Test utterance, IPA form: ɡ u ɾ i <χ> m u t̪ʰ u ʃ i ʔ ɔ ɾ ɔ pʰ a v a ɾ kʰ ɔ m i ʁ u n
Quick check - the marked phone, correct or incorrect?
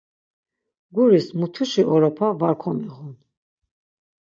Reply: incorrect